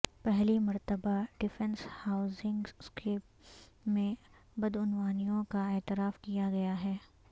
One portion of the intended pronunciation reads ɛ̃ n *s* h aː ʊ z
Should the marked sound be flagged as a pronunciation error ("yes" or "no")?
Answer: no